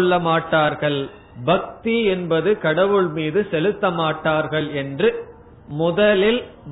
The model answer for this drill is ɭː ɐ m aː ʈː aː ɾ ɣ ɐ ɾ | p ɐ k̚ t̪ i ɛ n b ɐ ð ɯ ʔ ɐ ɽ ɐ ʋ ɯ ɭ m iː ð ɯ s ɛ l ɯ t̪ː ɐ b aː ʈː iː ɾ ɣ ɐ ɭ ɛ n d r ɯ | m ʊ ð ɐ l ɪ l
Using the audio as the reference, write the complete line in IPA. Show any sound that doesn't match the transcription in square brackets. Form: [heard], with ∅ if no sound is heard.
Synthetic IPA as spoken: ɭː ɐ m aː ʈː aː ɾ ɣ ɐ [ɭ] | [b] ɐ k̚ t̪ i ɛ n b ɐ ð ɯ [k] ɐ ɽ ɐ ʋ ɯ ɭ m iː ð ɯ s ɛ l ɯ t̪ː ɐ [m] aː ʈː [aː] ɾ ɣ ɐ ɭ ɛ n d r ɯ | m ʊ ð ɐ l ɪ l